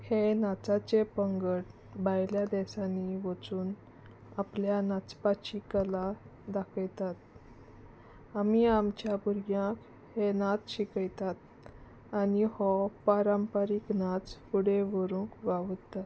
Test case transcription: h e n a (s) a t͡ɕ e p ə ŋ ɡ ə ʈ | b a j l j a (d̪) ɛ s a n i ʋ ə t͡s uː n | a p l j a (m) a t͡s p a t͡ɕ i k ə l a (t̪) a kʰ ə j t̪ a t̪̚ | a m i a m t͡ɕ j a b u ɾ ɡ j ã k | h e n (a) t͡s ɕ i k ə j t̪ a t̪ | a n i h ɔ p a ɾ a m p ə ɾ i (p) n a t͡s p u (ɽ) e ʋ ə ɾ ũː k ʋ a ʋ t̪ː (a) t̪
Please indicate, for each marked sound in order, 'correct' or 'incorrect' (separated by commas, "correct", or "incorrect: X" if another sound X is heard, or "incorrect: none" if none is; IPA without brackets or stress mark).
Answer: incorrect: t͡s, correct, incorrect: n, incorrect: d̪, correct, incorrect: k, correct, correct